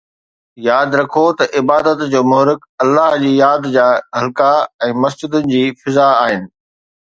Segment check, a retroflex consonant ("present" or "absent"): absent